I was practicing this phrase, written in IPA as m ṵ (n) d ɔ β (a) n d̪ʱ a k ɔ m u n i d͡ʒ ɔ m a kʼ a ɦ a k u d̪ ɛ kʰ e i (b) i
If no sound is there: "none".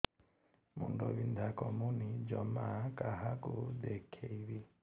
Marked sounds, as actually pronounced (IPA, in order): n, i, β

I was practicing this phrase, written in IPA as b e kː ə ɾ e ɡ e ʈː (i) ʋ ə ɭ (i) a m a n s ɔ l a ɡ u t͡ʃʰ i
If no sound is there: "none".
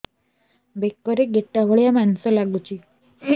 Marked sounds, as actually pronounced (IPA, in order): a, j

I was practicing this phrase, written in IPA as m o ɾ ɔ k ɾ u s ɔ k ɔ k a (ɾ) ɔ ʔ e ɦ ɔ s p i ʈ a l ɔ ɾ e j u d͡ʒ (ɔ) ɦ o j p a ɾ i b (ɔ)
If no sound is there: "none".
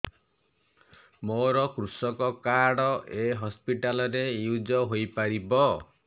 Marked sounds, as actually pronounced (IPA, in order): ɽ, ɔ, ɔ

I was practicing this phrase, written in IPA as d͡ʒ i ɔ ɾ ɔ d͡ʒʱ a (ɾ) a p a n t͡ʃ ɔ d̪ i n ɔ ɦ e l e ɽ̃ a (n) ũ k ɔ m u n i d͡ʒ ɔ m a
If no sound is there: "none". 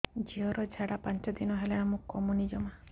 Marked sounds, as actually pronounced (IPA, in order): ɽ, m

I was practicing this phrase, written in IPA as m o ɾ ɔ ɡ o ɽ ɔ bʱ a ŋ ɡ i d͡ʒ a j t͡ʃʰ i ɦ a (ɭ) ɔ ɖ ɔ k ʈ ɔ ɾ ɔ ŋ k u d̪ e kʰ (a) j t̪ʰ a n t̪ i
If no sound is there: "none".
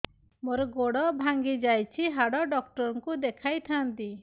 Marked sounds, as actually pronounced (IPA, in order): ɽ, a

